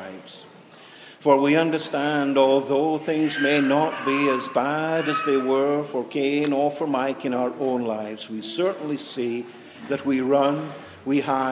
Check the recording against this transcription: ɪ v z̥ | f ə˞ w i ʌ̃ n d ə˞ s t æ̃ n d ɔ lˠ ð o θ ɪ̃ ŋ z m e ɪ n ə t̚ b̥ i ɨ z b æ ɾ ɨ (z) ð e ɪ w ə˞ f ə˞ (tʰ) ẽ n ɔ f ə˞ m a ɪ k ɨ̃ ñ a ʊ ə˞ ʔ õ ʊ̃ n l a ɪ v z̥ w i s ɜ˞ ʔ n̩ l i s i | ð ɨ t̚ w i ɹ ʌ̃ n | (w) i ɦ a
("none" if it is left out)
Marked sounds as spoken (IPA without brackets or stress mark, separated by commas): z, kʰ, w